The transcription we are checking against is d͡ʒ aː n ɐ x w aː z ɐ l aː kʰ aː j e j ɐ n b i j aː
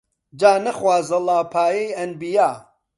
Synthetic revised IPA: d͡ʒ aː n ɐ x w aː z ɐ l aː pʰ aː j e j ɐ n b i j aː